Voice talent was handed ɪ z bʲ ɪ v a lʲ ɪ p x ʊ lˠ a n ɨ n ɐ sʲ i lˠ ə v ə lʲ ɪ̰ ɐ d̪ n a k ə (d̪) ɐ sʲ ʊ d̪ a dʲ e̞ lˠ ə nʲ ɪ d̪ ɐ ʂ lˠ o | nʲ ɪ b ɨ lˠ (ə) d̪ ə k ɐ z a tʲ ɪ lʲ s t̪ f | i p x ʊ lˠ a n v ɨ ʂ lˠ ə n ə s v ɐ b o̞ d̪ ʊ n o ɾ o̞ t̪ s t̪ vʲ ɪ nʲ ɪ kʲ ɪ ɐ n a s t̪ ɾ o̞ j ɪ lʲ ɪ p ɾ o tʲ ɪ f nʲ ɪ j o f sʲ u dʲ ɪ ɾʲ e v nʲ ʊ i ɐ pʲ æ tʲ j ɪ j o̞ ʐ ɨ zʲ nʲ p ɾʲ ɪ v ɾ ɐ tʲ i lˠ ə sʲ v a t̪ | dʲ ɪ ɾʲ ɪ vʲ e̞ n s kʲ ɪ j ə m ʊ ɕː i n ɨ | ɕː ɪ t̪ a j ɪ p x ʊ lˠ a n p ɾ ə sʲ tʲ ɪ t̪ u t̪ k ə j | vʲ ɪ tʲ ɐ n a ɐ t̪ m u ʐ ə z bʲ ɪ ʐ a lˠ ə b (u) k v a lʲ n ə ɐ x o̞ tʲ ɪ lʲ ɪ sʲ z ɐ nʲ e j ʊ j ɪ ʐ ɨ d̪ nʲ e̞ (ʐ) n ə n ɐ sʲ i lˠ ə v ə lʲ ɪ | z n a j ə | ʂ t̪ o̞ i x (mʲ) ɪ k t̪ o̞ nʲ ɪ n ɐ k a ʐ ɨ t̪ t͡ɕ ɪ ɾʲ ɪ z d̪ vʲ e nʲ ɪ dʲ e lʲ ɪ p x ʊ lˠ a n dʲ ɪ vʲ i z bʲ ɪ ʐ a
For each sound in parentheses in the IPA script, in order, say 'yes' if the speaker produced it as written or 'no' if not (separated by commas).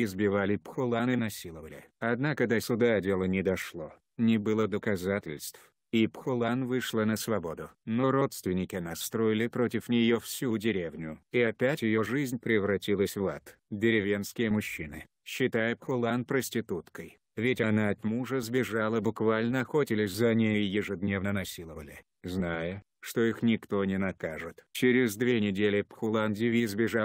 yes, yes, no, no, no